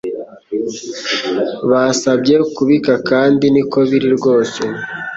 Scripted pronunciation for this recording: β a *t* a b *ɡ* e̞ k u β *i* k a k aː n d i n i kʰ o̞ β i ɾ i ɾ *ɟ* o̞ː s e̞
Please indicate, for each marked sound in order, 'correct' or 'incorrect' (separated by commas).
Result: incorrect, incorrect, correct, incorrect